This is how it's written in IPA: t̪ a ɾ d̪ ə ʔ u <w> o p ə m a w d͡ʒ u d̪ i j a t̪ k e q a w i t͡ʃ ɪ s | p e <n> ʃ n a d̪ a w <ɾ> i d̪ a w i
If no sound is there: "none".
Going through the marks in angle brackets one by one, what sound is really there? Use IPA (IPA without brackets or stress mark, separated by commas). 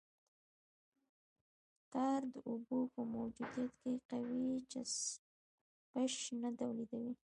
b, none, l